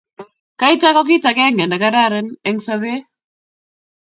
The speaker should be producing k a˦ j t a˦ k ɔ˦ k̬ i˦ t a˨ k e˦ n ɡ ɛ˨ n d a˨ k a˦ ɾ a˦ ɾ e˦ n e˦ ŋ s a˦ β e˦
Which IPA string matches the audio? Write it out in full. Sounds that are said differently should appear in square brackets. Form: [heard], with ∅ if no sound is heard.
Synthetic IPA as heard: k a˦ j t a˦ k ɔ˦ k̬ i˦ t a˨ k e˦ [ŋ] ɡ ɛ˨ n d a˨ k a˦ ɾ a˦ ɾ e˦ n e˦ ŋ s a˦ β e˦